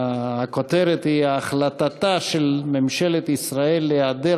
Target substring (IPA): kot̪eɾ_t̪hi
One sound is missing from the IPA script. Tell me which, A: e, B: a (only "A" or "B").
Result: A